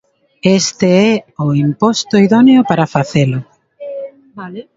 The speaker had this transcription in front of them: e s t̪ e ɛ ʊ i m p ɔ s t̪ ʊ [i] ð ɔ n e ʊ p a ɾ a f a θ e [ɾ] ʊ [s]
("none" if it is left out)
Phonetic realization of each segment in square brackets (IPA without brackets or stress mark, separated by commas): i, l, none